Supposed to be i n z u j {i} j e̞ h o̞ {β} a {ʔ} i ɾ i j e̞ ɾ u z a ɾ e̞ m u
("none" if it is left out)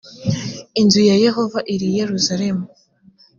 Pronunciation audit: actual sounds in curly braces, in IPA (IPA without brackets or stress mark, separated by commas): a, v, ʔ